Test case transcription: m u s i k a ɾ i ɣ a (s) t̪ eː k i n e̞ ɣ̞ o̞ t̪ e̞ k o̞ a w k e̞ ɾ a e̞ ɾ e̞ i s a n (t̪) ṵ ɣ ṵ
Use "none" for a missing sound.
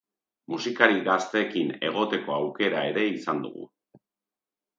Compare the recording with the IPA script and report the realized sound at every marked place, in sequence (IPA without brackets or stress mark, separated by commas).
s, d̪